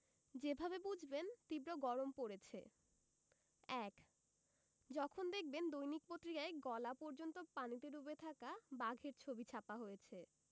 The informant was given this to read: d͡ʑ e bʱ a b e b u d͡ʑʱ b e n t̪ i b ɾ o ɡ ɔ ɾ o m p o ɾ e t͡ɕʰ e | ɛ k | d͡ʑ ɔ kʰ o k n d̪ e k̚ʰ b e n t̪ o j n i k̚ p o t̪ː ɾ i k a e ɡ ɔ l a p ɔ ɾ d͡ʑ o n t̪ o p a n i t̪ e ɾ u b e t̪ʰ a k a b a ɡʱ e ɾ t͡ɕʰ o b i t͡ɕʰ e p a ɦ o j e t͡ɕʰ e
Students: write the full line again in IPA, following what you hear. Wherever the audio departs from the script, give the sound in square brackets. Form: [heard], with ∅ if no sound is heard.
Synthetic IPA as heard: d͡ʑ e bʱ a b e b u d͡ʑʱ b e n t̪ i b ɾ o ɡ ɔ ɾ o m p o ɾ e t͡ɕʰ e | ɛ k | d͡ʑ ɔ kʰ o [∅] n d̪ e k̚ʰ b e n [d̪] o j n i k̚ p o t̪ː ɾ i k a e ɡ ɔ l a p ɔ ɾ d͡ʑ o n t̪ o p a n i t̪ e ɾ u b e t̪ʰ a k a b a ɡʱ e ɾ t͡ɕʰ o b i t͡ɕʰ [a] p a ɦ o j e t͡ɕʰ e